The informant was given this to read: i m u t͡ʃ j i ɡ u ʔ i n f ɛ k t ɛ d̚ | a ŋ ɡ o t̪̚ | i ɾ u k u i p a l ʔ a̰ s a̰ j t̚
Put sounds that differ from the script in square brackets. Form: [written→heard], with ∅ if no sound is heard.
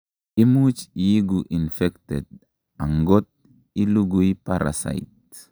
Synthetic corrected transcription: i m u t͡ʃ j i ɡ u ʔ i n f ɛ k t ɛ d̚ | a ŋ ɡ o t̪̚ | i [ɾ→l] u [k→ɡ] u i p a [l→ɾ] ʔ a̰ s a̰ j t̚